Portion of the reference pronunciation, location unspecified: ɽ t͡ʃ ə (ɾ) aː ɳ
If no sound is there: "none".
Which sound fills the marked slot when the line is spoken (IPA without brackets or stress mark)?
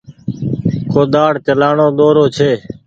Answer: l